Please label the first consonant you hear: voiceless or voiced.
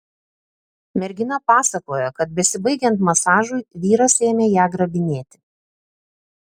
voiced